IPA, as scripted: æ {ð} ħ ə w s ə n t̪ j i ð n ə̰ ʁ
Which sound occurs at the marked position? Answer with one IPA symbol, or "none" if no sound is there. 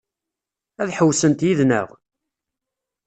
ð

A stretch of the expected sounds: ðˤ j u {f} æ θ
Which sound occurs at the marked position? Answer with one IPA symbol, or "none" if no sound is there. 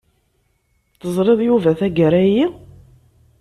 v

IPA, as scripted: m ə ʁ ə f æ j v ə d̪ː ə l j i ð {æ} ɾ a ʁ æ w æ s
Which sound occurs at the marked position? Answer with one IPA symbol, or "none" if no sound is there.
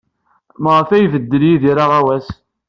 i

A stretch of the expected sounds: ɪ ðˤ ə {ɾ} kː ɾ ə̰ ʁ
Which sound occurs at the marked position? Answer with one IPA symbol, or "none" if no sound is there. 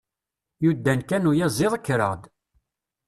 none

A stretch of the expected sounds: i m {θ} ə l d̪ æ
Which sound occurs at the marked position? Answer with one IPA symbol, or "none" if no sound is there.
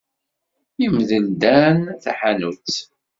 ð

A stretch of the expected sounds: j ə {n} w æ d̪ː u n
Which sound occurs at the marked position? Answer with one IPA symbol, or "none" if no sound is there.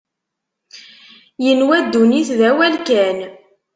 n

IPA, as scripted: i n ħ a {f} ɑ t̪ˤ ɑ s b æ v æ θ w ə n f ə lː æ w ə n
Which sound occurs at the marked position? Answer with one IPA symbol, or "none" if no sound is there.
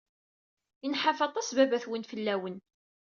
f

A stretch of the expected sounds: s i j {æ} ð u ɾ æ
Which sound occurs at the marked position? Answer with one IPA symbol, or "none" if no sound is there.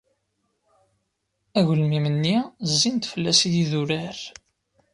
i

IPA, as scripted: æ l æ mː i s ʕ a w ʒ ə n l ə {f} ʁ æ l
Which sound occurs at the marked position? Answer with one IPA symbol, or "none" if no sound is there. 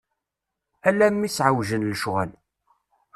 ʃ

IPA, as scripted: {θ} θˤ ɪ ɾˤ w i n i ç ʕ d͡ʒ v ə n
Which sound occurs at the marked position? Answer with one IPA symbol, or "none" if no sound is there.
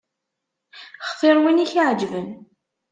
χ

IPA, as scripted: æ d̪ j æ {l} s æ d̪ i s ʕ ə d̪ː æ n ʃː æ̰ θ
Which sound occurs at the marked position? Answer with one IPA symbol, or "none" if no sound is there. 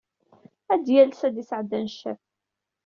l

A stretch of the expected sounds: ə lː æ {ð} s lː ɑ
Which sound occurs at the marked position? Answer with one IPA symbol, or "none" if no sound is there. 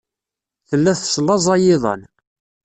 θ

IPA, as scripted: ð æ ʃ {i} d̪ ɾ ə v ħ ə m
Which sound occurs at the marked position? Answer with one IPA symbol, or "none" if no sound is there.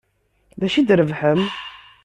i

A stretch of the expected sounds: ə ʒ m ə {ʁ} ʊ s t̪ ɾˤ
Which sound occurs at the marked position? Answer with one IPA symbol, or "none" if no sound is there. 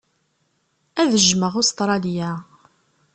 ʁ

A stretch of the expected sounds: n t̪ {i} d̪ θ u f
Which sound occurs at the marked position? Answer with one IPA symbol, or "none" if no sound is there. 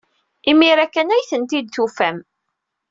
i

